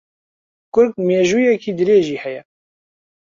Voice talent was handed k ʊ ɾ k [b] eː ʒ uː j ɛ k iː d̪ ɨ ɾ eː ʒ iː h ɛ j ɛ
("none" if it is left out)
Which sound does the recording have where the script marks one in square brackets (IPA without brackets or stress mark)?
m